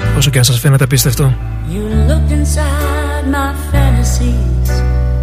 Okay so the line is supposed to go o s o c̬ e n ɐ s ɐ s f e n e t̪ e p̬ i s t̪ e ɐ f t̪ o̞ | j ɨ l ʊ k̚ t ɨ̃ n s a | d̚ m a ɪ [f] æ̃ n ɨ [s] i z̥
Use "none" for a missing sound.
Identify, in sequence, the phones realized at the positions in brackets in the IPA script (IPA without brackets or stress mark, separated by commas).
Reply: f, s